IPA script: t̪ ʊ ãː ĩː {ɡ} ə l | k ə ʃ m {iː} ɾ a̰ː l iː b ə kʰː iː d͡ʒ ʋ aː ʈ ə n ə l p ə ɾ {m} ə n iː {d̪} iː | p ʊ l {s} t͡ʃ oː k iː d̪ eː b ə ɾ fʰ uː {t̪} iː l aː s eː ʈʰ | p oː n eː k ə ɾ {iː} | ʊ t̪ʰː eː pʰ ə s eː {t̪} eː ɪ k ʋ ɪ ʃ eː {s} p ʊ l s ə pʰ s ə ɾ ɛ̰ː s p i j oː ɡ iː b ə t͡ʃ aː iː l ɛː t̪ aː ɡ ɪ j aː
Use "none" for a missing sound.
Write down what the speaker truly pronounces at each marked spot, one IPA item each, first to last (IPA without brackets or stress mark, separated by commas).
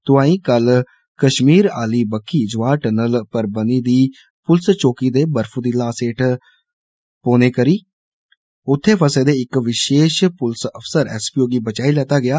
k, iː, b, d̪, s, d̪, iː, d̪, ʃ